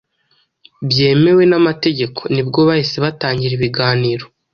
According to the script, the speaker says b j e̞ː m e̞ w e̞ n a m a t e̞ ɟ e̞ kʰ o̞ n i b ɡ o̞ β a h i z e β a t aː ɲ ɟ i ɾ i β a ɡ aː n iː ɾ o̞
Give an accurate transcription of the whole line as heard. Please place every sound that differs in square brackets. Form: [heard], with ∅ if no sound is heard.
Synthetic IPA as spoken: b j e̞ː m e̞ w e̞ n a m a t e̞ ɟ e̞ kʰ o̞ n i b ɡ o̞ β a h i [s] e β a t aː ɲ ɟ i ɾ i β [i] ɡ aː n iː ɾ o̞